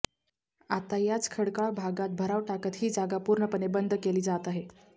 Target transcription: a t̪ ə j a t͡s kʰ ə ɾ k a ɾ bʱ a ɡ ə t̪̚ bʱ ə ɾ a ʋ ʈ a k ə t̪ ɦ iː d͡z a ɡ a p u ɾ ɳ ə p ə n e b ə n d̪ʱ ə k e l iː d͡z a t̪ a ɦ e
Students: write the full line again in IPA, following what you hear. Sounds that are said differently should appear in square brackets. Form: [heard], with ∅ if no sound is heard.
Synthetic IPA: a t̪ [a] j a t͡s kʰ ə [ɽ] k a [ɭ] bʱ a ɡ [a] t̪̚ bʱ ə ɾ a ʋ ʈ a k ə t̪ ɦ iː d͡z a ɡ a p u ɾ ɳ ə p ə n e b ə n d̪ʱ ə k e l iː d͡z a t̪ a ɦ e